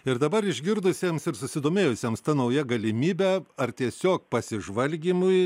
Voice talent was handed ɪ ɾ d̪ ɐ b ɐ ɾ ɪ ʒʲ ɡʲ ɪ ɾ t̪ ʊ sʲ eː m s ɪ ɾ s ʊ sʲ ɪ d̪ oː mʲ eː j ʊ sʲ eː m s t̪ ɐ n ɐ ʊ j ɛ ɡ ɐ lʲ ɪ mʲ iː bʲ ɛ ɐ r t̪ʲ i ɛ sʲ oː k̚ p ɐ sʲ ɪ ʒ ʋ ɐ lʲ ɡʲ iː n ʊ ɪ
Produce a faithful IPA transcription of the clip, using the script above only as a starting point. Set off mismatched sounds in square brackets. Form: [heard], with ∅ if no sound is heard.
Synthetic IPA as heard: ɪ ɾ d̪ ɐ b ɐ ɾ ɪ ʒʲ ɡʲ ɪ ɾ [d̪] ʊ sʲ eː m s ɪ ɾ s ʊ sʲ ɪ d̪ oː mʲ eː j ʊ sʲ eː m s t̪ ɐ n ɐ ʊ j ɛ ɡ ɐ lʲ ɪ mʲ iː bʲ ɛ ɐ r t̪ʲ i ɛ sʲ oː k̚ p ɐ sʲ ɪ ʒ ʋ ɐ lʲ ɡʲ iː [m] ʊ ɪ